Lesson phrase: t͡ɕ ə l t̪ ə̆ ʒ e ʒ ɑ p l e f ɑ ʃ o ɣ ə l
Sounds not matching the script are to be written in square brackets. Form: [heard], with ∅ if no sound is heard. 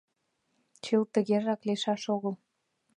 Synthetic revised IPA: t͡ɕ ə l t̪ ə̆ [ɣ] e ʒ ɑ [k] l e [ʃ] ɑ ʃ o ɣ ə l